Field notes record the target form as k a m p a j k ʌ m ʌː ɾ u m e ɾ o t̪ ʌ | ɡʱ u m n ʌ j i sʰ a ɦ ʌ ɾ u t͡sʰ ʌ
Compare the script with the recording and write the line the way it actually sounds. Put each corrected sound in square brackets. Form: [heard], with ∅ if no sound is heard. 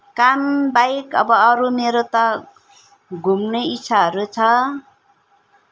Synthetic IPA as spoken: k a m [b] a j k ʌ [b] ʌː ɾ u m e ɾ o t̪ ʌ | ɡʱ u m n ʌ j i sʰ a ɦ ʌ ɾ u t͡sʰ ʌ

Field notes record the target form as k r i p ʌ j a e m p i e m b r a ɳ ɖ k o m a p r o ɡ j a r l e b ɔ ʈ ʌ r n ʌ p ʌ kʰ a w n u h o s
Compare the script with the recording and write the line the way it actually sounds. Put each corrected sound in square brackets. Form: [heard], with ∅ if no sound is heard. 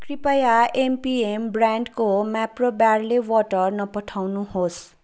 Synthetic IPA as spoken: k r i p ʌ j a e m p i e m b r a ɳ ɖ k o m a p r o [b] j a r l e [w] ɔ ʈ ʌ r n ʌ p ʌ [ʈʰ] a w n u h o s

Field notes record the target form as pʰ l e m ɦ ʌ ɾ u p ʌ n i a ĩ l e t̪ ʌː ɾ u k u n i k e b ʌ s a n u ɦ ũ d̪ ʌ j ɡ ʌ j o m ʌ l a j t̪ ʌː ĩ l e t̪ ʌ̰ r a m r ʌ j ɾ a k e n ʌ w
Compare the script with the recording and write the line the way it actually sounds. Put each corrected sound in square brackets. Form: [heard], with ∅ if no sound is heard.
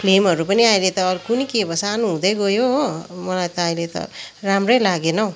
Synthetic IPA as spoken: pʰ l e m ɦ ʌ ɾ u p ʌ n i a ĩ l e t̪ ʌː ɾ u k u n i k e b ʌ s a n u ɦ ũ d̪ ʌ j ɡ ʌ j o m ʌ l a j t̪ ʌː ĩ l e t̪ ʌ̰ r a m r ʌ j [l] a [ɡ] e n ʌ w

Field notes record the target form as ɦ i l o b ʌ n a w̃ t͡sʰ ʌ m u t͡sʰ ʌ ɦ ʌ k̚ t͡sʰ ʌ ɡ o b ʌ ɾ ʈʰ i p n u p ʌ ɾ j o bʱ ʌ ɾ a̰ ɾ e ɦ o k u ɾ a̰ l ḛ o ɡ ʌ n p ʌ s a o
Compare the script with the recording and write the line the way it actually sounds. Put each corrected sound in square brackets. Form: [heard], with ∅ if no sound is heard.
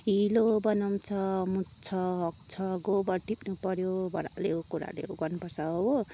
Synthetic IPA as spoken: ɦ i l o b ʌ n a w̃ t͡sʰ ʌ m u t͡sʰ ʌ ɦ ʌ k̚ t͡sʰ ʌ ɡ o b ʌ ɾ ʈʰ i p n u p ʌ ɾ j o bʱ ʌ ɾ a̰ [l] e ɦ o k u ɾ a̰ l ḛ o ɡ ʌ n p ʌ s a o

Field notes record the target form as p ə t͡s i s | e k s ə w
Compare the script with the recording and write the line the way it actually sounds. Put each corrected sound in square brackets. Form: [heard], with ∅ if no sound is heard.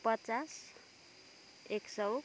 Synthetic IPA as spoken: p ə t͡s [a] s | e k s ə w

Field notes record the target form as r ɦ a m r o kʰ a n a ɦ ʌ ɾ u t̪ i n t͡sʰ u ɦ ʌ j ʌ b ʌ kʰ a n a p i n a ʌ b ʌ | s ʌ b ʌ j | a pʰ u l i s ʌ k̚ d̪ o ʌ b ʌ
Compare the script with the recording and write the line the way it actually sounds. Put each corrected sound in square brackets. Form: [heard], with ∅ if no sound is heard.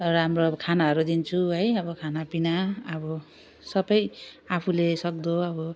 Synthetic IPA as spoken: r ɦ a m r o kʰ a n a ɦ ʌ ɾ u [d̪] i n t͡sʰ u ɦ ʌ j ʌ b ʌ kʰ a n a p i n a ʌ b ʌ | s ʌ b ʌ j | a pʰ u l [e] s ʌ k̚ d̪ o ʌ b ʌ

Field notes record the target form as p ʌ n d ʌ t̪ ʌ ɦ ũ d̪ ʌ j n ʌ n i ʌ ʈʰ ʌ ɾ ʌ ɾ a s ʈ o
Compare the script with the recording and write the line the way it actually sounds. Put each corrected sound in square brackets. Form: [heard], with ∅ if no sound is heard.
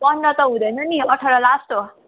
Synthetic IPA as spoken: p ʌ n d ʌ t̪ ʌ ɦ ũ d̪ ʌ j n ʌ n i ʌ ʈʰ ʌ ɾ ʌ [l] a s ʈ o

